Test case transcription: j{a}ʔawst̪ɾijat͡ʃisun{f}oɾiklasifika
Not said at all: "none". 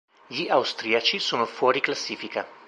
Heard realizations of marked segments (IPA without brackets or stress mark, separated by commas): i, f